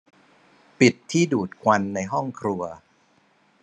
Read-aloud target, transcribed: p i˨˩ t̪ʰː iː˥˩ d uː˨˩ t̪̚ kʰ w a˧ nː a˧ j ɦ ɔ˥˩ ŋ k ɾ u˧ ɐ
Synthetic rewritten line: p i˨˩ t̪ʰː iː˥˩ d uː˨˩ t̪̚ kʰ w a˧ nː a˧ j ɦ ɔ˥˩ ŋ kʰ ɾ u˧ ɐ